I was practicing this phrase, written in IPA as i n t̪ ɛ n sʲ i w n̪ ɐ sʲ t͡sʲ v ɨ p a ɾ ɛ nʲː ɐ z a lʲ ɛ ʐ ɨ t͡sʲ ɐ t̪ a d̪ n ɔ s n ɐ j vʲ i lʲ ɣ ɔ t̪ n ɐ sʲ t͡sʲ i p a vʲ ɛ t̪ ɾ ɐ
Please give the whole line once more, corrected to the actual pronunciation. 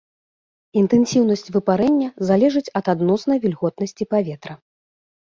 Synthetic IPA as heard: i n t̪ ɛ n sʲ i w n̪ ɐ sʲ t͡sʲ v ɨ p a ɾ ɛ nʲː ɐ z a lʲ ɛ ʐ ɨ t͡sʲ ɐ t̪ a d̪ n ɔ s n ɐ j vʲ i lʲ ɣ ɔ t̪ n ɐ sʲ t͡sʲ i p a vʲ ɛ t̪ ɾ ɐ